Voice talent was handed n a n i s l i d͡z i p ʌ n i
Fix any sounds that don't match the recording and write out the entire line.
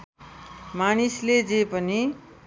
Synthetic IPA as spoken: m a n i s l e d͡z e p ʌ n i